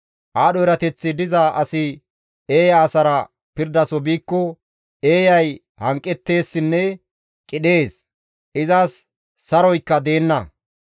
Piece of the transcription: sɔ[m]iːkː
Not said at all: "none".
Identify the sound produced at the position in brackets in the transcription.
b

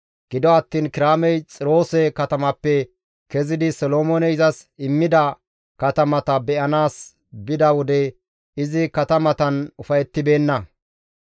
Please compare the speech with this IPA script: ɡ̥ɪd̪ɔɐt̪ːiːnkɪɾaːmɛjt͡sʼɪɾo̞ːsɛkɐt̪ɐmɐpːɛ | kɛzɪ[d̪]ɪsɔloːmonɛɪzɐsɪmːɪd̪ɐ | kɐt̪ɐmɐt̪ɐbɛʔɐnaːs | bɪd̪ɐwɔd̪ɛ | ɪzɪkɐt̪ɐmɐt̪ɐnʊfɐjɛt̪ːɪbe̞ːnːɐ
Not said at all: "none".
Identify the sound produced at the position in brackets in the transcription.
d̪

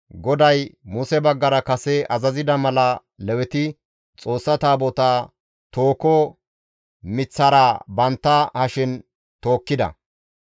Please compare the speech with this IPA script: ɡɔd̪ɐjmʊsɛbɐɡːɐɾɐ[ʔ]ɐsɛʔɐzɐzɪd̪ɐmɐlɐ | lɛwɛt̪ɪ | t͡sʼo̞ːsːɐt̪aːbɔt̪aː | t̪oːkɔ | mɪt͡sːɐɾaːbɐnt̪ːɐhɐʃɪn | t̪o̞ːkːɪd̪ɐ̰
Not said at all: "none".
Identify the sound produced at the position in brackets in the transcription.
k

